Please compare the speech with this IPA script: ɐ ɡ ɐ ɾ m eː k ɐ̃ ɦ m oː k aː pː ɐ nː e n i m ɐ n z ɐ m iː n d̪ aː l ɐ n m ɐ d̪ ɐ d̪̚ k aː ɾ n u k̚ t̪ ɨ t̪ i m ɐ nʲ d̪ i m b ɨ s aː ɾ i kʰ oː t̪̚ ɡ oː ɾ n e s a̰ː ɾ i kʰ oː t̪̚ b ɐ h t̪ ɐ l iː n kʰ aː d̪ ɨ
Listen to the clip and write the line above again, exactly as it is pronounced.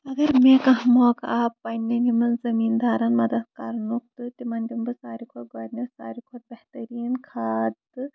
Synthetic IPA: ɐ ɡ ɐ ɾ m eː k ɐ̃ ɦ m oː k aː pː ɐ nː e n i m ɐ n z ɐ m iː n d̪ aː ɾ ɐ n m ɐ d̪ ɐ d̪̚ k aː ɾ n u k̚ t̪ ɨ t̪ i m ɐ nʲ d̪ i m b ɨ s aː ɾ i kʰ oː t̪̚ ɡ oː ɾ n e s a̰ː ɾ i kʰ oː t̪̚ b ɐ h t̪ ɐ ɾ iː n kʰ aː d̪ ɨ